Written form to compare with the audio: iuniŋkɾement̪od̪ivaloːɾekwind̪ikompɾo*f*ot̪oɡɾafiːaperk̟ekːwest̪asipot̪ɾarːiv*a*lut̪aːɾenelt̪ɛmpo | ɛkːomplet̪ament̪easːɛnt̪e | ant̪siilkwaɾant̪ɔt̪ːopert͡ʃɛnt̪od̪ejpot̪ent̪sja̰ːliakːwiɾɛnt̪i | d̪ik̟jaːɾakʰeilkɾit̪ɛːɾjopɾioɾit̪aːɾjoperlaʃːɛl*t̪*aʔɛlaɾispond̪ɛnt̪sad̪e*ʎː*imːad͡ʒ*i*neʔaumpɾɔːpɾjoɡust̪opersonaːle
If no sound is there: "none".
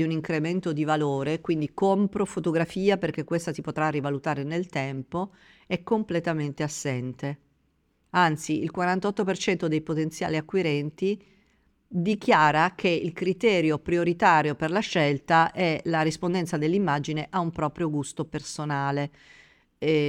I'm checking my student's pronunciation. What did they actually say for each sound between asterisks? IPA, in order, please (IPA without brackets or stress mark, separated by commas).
f, a, t̪, lː, i